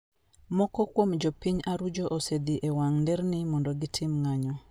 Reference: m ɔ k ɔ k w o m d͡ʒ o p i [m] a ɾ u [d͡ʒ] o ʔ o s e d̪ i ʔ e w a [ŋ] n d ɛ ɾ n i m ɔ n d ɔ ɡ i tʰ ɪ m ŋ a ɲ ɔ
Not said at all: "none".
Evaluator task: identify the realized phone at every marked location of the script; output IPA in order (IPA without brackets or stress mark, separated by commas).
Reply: ɲ, d͡ʒ, ŋ